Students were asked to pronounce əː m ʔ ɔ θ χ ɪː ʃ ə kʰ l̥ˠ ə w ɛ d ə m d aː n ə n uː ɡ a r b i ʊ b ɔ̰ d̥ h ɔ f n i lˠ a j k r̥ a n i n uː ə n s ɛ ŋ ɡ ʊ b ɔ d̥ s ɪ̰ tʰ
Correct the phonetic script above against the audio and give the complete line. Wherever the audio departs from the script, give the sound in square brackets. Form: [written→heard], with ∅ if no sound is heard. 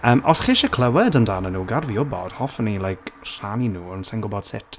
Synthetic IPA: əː m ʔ ɔ [θ→s] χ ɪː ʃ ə kʰ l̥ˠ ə w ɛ d ə [m→n] d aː n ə n uː ɡ a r [b→v] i ʊ b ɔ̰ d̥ h ɔ f n i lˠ a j k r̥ a n i n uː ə n s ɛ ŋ ɡ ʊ b ɔ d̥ s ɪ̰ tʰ